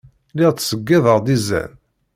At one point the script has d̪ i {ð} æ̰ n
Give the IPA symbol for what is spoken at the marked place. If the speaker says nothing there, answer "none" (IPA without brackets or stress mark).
z